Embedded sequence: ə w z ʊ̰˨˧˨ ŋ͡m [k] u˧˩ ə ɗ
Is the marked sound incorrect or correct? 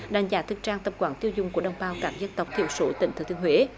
correct